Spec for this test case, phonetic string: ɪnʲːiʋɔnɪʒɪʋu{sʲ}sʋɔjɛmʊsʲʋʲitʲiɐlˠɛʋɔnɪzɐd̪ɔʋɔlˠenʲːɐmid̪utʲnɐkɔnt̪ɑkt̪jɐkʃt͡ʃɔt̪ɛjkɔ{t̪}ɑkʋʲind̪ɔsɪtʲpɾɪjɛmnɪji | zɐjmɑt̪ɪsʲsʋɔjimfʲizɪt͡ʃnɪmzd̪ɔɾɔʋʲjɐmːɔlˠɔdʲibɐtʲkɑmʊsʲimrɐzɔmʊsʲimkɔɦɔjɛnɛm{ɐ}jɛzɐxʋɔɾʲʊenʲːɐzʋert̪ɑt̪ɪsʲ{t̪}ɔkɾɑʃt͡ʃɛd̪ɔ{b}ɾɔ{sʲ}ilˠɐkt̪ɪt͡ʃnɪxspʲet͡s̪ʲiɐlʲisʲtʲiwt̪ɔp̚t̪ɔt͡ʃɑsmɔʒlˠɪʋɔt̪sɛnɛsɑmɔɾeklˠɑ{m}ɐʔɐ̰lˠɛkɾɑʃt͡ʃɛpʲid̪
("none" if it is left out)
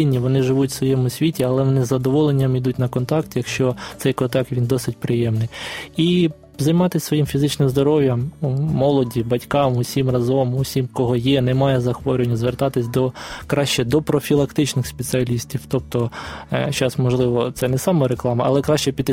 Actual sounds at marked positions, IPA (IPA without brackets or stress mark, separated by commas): tʲ, t̪, ɑ, d̪, p, fʲ, m